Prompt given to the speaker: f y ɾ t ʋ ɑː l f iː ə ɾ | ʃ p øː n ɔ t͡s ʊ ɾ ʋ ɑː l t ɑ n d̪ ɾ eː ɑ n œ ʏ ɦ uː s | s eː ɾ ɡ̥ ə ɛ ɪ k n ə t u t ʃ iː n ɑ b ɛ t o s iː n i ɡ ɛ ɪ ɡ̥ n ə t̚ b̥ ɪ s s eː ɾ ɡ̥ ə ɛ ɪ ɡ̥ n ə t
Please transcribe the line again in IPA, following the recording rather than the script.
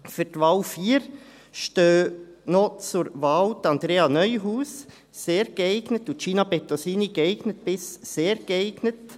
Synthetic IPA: f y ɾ t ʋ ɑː l f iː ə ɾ | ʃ t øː n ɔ t͡s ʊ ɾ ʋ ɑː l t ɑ n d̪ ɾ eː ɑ n œ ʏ ɦ uː s | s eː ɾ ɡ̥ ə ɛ ɪ ɡ n ə t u t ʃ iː n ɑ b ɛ t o s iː n i ɡ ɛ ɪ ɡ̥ n ə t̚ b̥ ɪ s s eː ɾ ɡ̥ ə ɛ ɪ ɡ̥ n ə t